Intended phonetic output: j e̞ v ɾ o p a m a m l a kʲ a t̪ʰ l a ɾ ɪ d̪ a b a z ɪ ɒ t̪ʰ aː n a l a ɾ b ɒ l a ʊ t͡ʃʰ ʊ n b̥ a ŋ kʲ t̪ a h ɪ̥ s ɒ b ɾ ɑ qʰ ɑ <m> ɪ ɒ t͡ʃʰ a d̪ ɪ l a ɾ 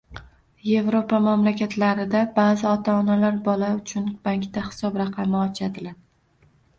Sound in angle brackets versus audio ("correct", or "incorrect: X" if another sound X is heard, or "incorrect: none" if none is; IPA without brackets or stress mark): correct